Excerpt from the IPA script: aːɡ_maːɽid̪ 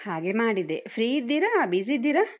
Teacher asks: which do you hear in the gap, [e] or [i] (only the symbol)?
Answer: e